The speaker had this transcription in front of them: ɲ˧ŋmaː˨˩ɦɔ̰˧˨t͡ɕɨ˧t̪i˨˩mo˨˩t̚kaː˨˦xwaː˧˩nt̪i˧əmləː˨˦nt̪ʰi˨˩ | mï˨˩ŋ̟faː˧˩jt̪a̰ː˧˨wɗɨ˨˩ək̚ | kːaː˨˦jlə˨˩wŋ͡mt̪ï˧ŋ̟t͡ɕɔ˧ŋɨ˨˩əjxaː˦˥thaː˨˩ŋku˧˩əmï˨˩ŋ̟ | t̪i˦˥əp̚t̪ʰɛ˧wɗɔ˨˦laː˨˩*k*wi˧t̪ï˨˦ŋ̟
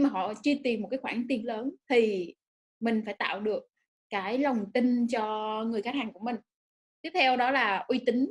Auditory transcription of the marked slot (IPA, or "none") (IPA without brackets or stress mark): ʔ